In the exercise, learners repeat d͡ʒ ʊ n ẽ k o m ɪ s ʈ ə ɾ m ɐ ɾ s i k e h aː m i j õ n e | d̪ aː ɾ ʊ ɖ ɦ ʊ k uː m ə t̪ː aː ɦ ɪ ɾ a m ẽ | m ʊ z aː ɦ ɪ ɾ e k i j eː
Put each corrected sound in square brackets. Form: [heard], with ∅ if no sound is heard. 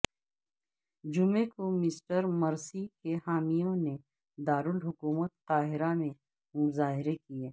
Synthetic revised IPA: d͡ʒ ʊ [m] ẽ k o m ɪ s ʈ ə ɾ m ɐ ɾ s i k e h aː m i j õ n e | d̪ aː ɾ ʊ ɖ ɦ ʊ k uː m ə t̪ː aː ɦ ɪ ɾ a m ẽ | m ʊ z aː ɦ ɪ ɾ e k i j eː